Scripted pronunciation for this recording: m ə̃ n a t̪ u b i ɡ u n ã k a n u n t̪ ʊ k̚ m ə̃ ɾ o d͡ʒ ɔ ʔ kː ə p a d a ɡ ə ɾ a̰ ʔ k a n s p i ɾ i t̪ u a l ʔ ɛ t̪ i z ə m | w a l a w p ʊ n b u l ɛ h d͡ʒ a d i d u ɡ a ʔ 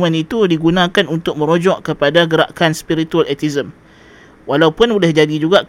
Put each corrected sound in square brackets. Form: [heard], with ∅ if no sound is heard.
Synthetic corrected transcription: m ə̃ n [i] t̪ u [d] i ɡ u n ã k a n u n t̪ ʊ k̚ m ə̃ ɾ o d͡ʒ ɔ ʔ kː ə p a d a ɡ ə ɾ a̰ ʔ k a n s p i ɾ i t̪ u a l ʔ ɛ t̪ i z ə m | w a l a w p ʊ n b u l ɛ h d͡ʒ a d i [d͡ʒ] u ɡ a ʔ